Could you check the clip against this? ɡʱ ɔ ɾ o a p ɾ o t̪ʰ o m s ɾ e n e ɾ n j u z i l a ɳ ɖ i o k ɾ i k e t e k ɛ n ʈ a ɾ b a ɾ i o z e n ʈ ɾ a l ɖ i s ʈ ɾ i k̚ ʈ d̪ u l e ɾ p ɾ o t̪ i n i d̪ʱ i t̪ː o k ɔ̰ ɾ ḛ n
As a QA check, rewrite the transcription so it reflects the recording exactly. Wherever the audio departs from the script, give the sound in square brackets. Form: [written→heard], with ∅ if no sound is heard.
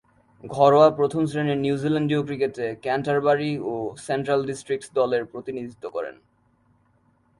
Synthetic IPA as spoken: ɡʱ ɔ ɾ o a p ɾ o t̪ʰ o m s ɾ e n e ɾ n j u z i l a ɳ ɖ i o k ɾ i k e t e k ɛ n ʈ a ɾ b a ɾ i o [z→s] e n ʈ ɾ a l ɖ i s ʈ ɾ i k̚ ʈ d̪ [u→ɔ] l e ɾ p ɾ o t̪ i n i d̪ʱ i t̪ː o k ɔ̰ ɾ ḛ n